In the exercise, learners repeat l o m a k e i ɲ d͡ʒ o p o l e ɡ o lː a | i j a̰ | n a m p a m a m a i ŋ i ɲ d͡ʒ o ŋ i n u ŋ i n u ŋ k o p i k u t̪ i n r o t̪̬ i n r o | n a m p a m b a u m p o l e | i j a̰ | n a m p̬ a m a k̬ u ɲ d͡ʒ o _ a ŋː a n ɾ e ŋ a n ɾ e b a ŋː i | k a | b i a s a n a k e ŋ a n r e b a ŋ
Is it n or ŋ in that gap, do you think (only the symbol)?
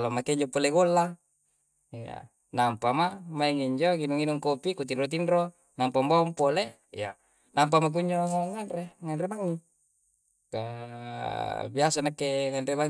ŋ